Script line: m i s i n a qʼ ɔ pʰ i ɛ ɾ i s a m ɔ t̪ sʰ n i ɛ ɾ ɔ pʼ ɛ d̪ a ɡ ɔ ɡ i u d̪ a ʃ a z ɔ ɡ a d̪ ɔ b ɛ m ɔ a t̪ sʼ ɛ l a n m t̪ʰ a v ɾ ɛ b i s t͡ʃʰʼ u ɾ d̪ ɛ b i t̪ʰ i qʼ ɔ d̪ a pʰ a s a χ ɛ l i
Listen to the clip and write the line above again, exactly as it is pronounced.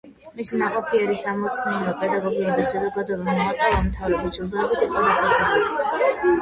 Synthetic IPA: m i s i n a qʼ ɔ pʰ i ɛ ɾ i s a m ɔ t̪ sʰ n i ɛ ɾ ɔ pʼ ɛ d̪ a ɡ ɔ ɡ i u d̪ a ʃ a z ɔ ɡ a d̪ ɔ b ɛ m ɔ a t̪ sʼ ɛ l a n m t̪ʰ a v ɾ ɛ b i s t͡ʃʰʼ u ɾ d̪ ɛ b i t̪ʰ i qʼ ɔ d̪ a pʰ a s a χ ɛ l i